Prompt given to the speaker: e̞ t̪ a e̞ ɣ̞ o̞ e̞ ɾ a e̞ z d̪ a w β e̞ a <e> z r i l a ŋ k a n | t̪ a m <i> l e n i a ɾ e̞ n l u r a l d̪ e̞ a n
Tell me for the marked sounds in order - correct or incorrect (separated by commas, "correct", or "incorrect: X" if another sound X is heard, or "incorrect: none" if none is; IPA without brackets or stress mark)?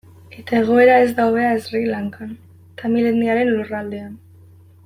correct, correct